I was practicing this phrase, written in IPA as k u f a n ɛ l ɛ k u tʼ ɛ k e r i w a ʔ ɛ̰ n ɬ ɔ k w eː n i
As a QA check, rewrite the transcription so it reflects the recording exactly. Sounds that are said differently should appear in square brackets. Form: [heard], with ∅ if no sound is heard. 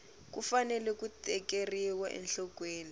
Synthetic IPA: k u f a n ɛ l ɛ k u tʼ ɛ k e r i w a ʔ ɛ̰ n ɬ ɔ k w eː n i